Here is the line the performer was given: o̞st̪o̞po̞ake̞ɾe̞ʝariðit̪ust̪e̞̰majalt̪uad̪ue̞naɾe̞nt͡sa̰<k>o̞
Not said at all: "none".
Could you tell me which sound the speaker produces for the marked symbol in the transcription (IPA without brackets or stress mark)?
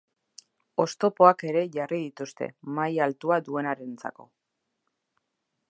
k